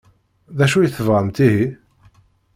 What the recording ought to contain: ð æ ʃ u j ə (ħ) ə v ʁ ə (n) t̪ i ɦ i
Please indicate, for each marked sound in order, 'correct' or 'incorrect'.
incorrect: θ, incorrect: m

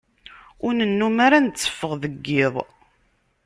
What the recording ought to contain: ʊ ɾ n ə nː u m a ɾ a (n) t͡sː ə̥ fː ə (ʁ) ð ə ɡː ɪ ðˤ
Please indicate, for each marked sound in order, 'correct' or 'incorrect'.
correct, correct

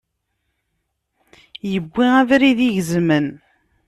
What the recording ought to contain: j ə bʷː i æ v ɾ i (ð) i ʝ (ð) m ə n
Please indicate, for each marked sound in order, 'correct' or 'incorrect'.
correct, incorrect: z

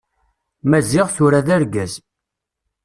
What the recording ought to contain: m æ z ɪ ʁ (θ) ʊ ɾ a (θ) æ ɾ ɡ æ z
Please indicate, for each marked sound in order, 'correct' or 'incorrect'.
correct, incorrect: ð

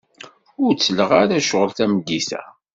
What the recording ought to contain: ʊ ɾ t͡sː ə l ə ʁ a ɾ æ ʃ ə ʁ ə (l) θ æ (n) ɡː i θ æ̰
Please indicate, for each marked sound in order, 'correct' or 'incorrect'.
correct, incorrect: m

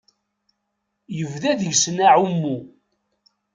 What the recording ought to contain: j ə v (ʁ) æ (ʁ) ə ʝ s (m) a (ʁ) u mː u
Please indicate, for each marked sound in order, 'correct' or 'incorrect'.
incorrect: ð, incorrect: ð, incorrect: n, incorrect: ʕ

